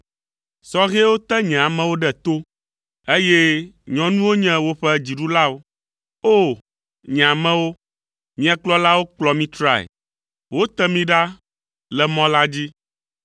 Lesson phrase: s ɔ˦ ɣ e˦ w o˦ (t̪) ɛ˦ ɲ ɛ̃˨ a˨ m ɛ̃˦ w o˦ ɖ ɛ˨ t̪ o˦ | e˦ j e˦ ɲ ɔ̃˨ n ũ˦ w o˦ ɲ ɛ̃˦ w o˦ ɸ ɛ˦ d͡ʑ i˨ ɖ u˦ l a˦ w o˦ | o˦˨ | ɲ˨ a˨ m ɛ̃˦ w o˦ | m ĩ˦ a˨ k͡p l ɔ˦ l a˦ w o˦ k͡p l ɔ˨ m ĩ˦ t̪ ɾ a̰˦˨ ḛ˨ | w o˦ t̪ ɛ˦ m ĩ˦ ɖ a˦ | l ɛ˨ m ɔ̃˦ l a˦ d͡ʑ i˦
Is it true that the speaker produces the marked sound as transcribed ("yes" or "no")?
yes